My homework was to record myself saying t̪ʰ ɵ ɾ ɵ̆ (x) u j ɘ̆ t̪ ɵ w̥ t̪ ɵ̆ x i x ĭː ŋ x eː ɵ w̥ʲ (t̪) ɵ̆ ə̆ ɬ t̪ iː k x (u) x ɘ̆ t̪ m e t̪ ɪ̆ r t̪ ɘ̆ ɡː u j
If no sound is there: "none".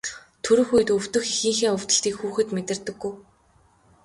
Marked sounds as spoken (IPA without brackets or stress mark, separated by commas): x, t̪, uː